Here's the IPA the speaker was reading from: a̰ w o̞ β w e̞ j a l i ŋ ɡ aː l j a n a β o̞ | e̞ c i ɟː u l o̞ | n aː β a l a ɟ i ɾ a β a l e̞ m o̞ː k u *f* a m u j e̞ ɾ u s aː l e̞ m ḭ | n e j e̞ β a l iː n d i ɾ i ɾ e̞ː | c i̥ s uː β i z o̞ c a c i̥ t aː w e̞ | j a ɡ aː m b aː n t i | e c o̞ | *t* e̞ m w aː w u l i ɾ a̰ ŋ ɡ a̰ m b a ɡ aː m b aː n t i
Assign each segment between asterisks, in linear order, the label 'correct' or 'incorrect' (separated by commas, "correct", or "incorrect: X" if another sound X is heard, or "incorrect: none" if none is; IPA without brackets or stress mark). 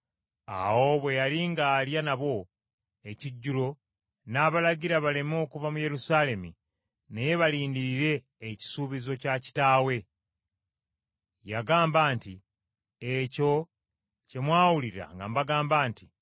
incorrect: v, incorrect: c